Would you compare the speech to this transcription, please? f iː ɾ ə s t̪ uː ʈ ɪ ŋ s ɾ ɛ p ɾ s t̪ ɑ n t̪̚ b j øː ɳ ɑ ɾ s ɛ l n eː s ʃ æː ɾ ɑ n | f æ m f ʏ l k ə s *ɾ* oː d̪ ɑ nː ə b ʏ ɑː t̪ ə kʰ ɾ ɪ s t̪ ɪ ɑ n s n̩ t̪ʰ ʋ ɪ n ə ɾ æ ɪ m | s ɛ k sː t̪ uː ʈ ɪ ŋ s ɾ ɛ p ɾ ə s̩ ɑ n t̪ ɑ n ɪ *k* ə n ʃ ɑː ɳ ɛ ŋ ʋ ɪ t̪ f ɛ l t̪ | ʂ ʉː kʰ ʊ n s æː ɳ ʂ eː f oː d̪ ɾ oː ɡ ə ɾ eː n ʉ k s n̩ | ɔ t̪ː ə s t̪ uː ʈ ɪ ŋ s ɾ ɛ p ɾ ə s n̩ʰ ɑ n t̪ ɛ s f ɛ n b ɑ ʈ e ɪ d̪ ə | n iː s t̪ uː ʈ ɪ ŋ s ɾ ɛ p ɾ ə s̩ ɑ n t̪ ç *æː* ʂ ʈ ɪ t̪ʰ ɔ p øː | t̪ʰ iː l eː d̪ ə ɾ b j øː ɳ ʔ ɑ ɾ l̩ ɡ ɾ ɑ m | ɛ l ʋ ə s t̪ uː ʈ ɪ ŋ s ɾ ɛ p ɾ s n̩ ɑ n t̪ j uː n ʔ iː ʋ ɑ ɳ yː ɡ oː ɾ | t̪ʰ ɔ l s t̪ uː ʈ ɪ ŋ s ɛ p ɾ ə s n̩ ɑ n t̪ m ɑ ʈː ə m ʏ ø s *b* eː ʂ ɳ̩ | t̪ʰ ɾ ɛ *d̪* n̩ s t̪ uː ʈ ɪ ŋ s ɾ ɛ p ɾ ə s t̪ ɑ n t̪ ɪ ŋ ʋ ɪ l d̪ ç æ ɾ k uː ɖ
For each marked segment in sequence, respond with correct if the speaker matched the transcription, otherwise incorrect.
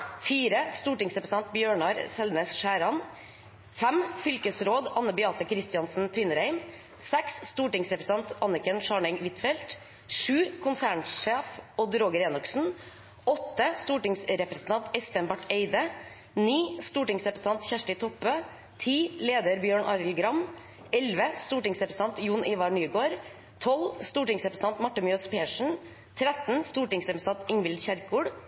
correct, correct, incorrect, incorrect, incorrect

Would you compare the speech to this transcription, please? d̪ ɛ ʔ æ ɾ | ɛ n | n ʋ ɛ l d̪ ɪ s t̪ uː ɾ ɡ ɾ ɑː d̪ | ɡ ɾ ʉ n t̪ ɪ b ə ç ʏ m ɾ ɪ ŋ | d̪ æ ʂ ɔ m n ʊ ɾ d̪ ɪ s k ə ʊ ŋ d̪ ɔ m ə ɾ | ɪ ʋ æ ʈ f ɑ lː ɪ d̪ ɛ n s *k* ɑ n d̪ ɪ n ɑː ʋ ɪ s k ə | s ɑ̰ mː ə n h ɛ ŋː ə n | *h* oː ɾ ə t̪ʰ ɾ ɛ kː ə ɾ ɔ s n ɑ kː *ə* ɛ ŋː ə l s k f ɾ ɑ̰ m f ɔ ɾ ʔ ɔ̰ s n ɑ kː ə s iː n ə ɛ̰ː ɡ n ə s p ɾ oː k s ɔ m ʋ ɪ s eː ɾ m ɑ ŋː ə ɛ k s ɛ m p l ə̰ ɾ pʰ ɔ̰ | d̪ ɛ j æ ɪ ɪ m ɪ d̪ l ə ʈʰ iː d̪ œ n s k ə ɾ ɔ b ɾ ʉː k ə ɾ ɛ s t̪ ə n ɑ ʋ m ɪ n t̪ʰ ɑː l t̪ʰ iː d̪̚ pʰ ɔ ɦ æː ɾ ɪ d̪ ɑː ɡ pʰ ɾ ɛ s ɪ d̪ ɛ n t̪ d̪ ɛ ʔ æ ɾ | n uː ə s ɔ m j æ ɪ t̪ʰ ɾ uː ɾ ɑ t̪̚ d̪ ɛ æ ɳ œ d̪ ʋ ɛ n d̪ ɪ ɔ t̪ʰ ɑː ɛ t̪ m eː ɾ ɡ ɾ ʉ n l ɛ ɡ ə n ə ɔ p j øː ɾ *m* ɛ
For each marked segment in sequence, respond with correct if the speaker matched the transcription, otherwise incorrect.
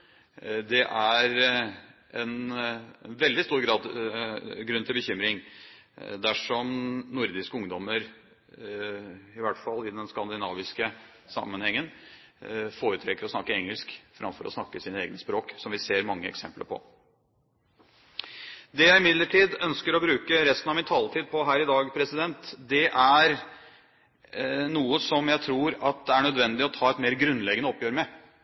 correct, incorrect, correct, correct

